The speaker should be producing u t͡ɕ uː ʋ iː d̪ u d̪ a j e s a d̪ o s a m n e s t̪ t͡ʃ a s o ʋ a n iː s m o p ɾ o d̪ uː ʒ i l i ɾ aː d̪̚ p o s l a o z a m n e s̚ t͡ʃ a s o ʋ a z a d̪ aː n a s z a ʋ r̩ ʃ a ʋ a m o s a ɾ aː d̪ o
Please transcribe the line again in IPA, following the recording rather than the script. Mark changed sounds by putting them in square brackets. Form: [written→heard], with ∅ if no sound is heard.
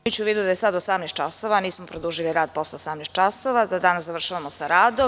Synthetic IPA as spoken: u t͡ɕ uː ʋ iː d̪ u d̪ a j e s a d̪ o s a m n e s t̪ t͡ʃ a s o ʋ a n iː s m o p ɾ o d̪ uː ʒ i l i ɾ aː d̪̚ p o s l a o [z→s] a m n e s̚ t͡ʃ a s o ʋ a z a d̪ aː n a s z a ʋ r̩ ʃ a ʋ a m o s a ɾ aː d̪ o